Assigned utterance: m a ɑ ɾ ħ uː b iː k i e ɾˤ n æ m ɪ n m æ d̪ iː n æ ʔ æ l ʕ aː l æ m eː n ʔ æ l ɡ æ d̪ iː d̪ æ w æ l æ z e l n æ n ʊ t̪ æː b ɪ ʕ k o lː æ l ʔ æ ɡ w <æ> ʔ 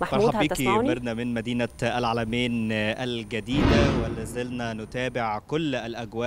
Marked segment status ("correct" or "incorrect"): incorrect